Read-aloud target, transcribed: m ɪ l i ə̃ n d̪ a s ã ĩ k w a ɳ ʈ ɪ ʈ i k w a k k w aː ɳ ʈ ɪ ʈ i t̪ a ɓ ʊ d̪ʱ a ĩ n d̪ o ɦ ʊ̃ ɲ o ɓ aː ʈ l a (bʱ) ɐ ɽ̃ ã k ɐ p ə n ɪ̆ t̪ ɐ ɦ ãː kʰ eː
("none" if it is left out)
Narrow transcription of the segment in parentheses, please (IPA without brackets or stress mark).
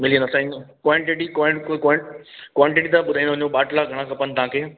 ɡʱ